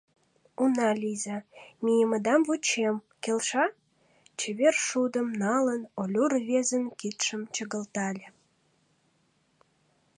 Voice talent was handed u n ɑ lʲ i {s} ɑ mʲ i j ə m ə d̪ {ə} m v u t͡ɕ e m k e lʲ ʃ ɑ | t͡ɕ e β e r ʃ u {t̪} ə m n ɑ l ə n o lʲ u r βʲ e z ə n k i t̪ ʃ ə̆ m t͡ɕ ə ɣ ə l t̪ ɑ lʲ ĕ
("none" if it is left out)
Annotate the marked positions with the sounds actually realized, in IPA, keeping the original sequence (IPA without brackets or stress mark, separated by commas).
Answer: z, ɑ, d̪